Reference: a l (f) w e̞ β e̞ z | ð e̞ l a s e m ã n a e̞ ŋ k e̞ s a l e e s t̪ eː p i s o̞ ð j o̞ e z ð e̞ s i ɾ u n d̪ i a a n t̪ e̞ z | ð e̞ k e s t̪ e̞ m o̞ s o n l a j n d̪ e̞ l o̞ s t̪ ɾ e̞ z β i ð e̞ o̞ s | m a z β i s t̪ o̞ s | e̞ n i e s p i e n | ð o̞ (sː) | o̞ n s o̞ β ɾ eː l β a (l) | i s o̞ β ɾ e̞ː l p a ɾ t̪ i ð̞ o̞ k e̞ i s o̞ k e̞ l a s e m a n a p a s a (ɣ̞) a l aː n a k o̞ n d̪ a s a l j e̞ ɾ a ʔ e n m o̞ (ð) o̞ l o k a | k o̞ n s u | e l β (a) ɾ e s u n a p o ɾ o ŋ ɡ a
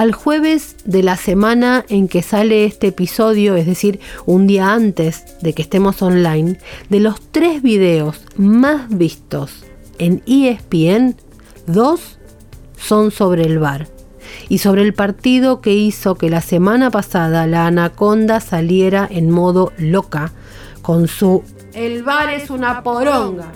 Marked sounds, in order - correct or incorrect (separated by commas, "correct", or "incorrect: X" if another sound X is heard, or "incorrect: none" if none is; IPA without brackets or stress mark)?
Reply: incorrect: x, correct, incorrect: ɾ, incorrect: ð̞, correct, correct